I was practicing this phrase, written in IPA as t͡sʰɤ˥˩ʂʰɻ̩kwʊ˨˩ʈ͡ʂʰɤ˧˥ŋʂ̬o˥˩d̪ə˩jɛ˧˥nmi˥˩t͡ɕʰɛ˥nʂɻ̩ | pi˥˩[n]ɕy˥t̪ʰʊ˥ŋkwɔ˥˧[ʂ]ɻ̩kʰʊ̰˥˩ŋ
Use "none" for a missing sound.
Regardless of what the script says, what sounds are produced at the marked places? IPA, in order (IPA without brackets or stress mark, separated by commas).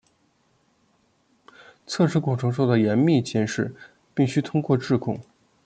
ŋ, ʈ͡ʂ